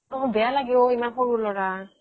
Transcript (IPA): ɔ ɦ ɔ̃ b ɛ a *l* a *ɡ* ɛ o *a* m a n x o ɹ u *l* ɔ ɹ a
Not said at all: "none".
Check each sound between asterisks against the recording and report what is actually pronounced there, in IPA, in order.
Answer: l, ɡ, i, l

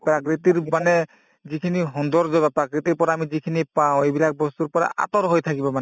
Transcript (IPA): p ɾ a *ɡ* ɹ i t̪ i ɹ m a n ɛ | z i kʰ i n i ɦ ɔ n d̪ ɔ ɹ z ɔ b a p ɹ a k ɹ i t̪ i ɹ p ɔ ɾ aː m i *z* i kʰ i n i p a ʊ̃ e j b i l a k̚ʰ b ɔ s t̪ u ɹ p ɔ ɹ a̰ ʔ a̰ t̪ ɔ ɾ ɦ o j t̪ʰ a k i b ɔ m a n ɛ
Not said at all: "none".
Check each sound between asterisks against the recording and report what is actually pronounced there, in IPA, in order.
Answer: k, z

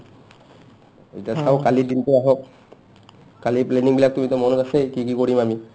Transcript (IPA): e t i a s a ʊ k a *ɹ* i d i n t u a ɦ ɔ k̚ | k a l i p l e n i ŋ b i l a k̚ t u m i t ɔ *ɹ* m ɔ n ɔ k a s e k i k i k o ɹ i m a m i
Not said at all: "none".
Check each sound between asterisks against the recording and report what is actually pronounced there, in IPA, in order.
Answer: l, none

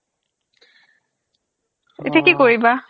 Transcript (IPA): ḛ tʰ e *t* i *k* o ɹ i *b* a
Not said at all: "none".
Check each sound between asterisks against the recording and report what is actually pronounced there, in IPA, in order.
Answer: k, k, b

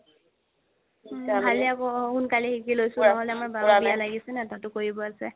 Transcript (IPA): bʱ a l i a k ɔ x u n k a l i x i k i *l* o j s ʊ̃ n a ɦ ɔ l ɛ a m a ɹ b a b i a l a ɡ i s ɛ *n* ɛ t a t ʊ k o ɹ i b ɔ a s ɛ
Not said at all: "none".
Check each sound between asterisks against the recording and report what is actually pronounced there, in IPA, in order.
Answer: l, n

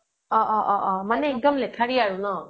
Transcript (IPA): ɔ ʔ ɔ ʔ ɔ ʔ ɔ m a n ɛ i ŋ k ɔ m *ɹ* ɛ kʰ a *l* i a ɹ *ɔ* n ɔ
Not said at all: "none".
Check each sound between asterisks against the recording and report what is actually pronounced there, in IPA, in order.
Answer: l, ɹ, u

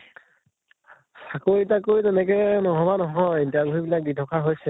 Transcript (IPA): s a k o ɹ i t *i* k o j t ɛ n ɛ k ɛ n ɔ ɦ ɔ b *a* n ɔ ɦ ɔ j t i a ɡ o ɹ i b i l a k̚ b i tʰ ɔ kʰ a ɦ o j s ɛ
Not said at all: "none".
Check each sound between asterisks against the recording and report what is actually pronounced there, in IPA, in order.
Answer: a, a

